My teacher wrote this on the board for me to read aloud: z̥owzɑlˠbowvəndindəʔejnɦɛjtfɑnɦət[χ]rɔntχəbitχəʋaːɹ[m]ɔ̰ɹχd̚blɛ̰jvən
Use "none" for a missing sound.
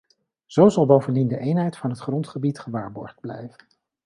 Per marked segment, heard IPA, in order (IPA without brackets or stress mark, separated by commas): χ, b